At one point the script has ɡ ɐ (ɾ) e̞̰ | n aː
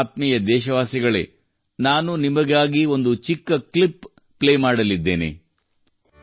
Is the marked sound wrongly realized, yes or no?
yes